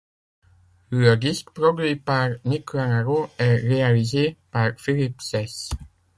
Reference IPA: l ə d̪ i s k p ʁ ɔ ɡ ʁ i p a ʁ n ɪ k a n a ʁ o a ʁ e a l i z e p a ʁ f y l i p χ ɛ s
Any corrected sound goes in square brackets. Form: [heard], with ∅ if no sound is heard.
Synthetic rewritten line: l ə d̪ i s k p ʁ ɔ ɡ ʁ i p a ʁ n [i] k a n a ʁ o [ɛ] ʁ e a l i z e p a ʁ f [i] l i p [s] ɛ s